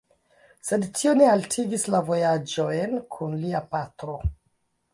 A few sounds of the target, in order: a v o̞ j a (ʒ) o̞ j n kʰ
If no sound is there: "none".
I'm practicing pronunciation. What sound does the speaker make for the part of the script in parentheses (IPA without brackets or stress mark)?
d͡ʒ